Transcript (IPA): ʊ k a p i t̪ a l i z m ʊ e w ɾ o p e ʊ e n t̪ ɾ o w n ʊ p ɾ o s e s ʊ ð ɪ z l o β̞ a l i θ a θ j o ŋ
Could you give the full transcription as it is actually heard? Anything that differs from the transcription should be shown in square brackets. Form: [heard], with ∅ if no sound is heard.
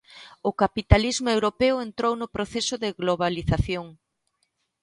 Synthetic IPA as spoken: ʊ k a p i t̪ a l i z m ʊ e w ɾ o p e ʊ e n t̪ ɾ o w n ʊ p ɾ o [θ] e s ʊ ð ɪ [ɣ] l o β̞ a l i θ a θ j o ŋ